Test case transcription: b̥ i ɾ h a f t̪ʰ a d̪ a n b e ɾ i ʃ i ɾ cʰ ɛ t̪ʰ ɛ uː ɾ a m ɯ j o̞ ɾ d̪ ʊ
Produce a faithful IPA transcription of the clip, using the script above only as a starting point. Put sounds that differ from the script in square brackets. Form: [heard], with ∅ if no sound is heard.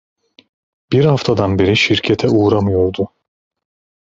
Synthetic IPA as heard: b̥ i ɾ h a f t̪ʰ a d̪ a n b e ɾ i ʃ i ɾ cʰ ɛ t̪ʰ ɛ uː ɾ a m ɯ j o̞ ɾ d̪ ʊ